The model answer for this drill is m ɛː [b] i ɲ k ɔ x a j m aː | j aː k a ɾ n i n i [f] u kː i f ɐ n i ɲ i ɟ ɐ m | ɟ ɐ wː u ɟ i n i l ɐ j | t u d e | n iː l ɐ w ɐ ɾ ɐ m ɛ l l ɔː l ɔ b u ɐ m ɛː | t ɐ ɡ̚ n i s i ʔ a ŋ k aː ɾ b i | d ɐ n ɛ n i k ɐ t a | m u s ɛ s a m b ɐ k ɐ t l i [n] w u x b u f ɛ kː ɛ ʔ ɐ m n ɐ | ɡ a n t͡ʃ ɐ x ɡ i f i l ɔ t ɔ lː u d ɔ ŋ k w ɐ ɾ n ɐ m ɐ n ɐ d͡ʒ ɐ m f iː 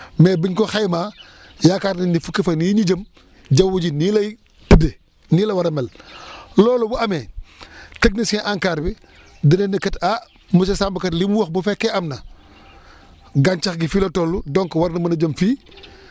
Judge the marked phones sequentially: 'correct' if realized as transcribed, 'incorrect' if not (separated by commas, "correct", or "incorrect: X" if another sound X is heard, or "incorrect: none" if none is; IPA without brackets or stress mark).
correct, correct, incorrect: m